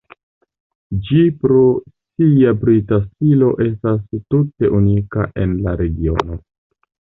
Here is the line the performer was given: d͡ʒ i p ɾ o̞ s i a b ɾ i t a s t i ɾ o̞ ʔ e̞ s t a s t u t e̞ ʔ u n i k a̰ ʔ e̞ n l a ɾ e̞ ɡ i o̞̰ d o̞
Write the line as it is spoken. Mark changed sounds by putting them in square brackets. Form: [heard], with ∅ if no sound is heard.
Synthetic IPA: d͡ʒ i p ɾ o̞ s i a b ɾ i t a s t i [l] o̞ ʔ e̞ s t a s t u t e̞ ʔ u n i k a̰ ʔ e̞ n l a ɾ e̞ ɡ i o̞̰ [n] o̞